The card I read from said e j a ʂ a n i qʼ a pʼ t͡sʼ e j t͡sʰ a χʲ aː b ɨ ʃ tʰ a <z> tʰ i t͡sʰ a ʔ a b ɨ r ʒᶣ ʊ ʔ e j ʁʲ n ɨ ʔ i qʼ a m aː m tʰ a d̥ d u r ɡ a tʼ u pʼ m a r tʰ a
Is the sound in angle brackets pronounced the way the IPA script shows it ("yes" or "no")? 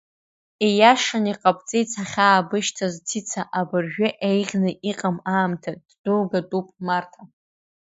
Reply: yes